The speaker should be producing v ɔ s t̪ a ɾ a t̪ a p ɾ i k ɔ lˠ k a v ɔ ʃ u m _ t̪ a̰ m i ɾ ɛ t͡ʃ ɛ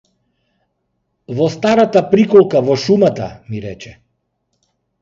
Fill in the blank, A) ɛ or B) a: B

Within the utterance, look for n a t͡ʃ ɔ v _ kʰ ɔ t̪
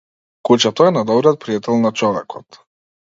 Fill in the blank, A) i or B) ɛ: B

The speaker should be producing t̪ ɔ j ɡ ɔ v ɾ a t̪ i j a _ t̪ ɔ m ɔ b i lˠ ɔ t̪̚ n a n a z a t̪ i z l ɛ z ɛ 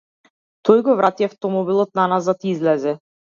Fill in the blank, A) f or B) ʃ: A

